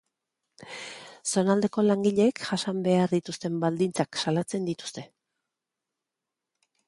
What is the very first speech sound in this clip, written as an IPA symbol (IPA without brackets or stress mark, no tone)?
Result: s